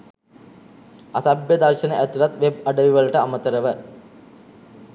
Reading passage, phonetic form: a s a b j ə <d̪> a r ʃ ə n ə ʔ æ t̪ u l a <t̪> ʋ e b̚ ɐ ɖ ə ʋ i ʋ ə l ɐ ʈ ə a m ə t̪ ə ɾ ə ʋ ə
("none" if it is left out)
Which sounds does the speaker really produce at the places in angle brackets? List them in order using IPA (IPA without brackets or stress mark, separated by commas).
d̪, t̪